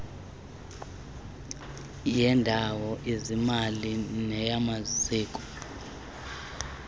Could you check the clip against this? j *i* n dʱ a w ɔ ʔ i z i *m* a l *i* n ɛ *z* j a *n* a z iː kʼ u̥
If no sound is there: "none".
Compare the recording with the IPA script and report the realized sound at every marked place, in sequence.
ɛ, m, i, none, m

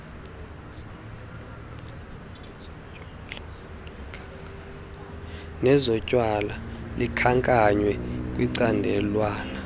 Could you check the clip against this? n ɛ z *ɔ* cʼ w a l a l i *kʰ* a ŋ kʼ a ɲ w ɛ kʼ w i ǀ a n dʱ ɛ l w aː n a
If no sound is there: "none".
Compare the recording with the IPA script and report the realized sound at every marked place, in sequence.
ɔ, kʰ

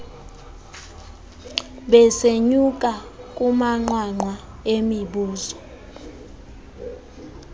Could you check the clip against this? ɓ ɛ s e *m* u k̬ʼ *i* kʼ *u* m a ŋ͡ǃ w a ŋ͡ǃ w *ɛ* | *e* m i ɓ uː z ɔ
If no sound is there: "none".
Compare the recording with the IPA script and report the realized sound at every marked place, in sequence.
ɲ, a, u, a, e

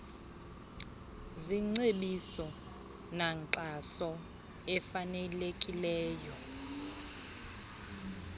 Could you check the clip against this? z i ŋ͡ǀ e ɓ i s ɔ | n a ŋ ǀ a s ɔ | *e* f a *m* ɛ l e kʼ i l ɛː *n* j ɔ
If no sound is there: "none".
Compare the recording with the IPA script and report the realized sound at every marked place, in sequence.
ɛ, n, none

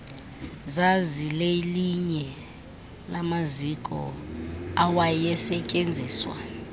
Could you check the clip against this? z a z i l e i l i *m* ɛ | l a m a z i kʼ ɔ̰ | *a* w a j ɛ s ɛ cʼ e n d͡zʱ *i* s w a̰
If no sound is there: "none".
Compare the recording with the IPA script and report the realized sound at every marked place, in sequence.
ɲ, a, iː

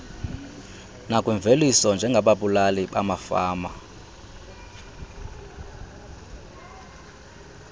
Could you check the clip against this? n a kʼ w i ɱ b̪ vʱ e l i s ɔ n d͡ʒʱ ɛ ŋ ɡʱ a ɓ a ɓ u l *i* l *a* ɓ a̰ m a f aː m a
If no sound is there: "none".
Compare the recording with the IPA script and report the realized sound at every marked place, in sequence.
a, i

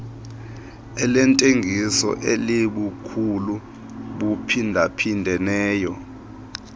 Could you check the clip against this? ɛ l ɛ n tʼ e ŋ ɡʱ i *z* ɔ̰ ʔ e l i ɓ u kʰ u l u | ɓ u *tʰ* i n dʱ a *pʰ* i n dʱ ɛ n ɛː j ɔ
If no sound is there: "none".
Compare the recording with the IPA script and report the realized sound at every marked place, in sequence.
s, pʰ, pʰ

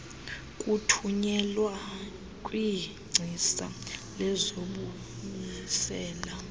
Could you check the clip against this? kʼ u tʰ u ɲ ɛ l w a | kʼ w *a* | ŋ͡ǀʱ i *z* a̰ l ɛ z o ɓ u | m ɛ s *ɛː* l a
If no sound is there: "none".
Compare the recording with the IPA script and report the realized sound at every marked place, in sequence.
i, s, ɛː

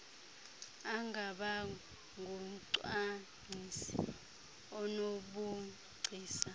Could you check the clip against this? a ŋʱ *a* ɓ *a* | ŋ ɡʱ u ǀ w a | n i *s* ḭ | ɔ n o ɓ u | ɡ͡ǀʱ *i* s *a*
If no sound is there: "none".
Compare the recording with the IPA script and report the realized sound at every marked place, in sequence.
a, a, s, iː, a

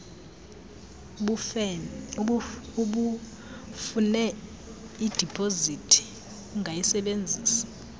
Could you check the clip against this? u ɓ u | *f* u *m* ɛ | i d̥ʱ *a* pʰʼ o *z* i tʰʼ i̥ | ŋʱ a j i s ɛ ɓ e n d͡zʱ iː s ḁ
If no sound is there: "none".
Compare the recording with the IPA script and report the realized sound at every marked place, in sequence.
f, n, i, z

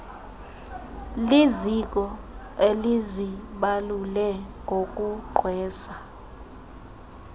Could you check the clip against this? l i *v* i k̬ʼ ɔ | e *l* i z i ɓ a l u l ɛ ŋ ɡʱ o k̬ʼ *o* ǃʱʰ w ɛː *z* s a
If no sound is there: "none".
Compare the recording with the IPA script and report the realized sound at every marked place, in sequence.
z, l, u, none

